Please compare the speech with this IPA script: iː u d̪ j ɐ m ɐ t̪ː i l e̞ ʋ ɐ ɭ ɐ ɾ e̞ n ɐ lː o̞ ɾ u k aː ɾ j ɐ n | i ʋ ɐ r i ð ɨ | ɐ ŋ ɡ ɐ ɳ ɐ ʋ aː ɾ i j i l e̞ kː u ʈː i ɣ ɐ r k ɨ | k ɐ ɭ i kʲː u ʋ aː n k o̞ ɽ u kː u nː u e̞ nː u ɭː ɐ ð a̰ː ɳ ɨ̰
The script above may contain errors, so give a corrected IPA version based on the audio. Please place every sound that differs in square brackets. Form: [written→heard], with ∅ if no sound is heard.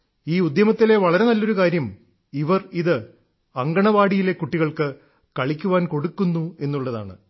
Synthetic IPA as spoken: iː u d̪ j ɐ m ɐ t̪ː i l e̞ ʋ ɐ ɭ ɐ ɾ e̞ n ɐ lː o̞ ɾ u k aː ɾ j ɐ [n→m] | i ʋ ɐ r i ð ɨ | ɐ ŋ ɡ ɐ ɳ ɐ ʋ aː [ɾ→ɽ] i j i l e̞ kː u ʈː i ɣ ɐ [r→ɭ] k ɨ | k ɐ ɭ i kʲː u ʋ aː n k o̞ ɽ u kː u nː u e̞ nː u ɭː ɐ ð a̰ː ɳ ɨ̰